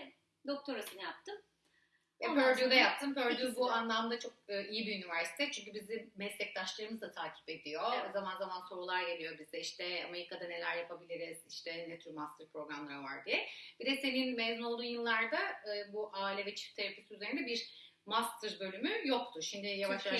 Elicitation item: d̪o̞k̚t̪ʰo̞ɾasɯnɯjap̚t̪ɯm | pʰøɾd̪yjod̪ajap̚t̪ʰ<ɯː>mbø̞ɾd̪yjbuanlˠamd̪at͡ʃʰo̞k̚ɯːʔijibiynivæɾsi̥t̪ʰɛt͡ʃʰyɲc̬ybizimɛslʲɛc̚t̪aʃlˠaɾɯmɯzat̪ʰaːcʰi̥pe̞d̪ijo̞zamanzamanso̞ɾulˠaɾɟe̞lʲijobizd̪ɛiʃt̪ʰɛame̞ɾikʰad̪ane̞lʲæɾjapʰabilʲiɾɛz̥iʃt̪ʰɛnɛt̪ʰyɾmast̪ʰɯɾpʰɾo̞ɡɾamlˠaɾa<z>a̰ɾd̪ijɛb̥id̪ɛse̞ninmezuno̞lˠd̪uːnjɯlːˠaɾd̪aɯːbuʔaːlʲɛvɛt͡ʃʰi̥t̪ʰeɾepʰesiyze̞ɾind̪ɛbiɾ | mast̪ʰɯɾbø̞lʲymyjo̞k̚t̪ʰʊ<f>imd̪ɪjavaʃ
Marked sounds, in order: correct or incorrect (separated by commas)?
incorrect, incorrect, incorrect